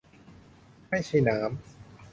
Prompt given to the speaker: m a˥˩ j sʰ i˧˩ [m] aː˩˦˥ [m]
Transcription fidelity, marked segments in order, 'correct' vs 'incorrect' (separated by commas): incorrect, correct